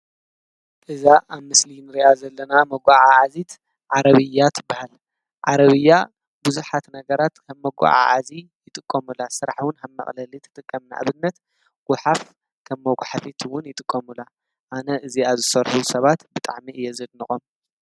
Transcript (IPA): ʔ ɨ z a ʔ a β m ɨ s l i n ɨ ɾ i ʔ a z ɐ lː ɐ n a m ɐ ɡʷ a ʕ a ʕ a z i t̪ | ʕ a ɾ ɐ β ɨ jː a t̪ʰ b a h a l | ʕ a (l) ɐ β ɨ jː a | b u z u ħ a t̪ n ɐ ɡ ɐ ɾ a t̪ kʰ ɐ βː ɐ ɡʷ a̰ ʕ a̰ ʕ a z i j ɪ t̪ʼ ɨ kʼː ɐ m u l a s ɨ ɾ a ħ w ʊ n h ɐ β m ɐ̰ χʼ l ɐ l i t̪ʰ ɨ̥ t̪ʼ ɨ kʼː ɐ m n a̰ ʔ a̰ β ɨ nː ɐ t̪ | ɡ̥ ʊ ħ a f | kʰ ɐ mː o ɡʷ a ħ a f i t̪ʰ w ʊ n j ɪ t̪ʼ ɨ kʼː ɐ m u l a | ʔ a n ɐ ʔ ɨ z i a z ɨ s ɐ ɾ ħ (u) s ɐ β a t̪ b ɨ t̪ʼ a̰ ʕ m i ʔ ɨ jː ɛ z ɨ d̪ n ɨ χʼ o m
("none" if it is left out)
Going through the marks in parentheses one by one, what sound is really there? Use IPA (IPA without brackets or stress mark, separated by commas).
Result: ɾ, u